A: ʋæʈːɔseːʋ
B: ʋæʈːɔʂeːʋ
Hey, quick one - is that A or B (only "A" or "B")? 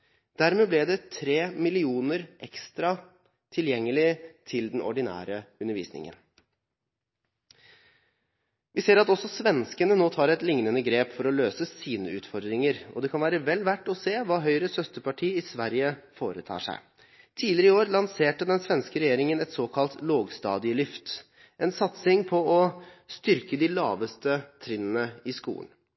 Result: A